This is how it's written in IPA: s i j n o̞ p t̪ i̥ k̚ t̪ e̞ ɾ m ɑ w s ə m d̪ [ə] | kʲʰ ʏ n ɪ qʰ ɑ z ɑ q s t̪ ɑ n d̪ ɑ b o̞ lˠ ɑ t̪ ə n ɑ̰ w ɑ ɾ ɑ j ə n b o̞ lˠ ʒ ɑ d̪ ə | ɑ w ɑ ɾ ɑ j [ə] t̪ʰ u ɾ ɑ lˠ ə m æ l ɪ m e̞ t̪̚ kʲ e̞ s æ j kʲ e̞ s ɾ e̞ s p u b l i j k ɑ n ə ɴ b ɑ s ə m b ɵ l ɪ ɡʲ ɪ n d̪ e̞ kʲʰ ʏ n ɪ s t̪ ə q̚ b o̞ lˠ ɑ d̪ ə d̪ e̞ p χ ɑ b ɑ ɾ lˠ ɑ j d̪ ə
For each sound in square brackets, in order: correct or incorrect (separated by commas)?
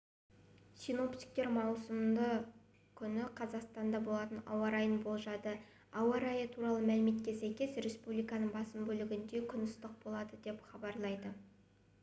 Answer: correct, correct